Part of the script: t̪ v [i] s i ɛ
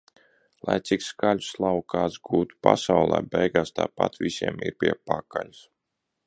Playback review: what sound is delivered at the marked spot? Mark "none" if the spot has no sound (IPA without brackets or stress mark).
i